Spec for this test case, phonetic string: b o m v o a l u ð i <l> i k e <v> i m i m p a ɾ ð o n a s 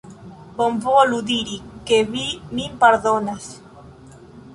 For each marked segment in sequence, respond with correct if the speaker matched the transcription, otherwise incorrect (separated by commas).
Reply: incorrect, incorrect